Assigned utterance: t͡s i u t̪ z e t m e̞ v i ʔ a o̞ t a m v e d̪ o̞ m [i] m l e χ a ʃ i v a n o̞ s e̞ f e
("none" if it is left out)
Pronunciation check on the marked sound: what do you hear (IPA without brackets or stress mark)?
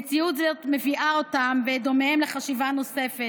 e